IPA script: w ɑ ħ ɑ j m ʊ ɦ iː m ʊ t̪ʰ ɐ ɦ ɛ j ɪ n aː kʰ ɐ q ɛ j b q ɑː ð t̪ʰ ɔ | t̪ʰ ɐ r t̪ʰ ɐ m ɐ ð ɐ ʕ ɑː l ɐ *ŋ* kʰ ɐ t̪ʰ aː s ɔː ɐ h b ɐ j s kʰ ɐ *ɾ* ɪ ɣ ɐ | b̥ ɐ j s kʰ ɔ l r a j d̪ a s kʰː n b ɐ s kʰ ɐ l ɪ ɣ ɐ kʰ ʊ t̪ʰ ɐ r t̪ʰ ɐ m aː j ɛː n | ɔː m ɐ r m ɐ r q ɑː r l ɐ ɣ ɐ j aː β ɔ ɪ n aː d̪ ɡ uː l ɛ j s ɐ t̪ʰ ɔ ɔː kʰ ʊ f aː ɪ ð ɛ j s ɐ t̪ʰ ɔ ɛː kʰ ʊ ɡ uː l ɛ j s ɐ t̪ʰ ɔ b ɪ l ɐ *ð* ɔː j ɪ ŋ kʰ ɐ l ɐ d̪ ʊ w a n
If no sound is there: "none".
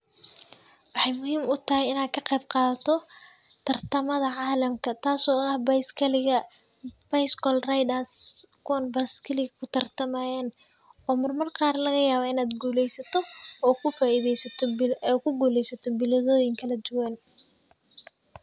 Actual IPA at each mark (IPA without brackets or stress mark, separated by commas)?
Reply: m, l, ð